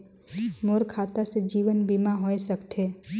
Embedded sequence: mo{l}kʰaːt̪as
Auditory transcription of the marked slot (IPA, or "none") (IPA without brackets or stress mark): ɾ